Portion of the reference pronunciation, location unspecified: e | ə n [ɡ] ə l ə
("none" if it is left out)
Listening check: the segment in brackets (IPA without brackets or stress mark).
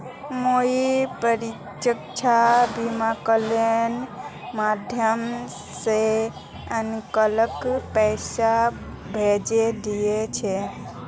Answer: k